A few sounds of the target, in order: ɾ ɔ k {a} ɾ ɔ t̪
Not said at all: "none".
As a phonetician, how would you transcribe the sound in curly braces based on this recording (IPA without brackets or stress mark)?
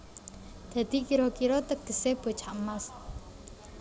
i